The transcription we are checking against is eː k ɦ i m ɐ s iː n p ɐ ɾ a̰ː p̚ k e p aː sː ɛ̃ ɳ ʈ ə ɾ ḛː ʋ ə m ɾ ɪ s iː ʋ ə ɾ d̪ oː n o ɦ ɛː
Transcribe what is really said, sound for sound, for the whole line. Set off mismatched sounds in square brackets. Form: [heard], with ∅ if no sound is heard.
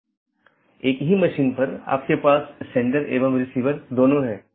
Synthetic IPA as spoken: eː k ɦ i m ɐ [ʃ] iː n p ɐ ɾ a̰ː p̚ k e p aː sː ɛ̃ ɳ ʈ ə ɾ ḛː ʋ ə m ɾ ɪ s iː ʋ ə ɾ d̪ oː n o ɦ ɛː